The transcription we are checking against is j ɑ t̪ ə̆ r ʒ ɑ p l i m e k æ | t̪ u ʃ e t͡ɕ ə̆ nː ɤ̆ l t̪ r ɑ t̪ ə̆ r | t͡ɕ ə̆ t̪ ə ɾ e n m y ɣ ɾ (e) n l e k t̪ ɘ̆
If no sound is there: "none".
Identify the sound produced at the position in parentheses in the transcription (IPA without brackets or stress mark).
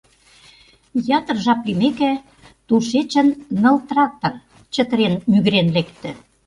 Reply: e